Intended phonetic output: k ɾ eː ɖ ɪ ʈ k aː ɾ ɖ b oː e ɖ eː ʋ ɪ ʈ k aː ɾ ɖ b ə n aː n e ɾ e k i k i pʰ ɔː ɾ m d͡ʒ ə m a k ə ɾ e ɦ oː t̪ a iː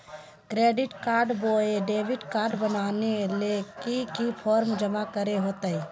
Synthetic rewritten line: k ɾ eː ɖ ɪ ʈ k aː ɾ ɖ b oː e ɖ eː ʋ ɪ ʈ k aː ɾ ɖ b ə n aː n e l e k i k i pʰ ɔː ɾ m d͡ʒ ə m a k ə ɾ e ɦ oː t̪ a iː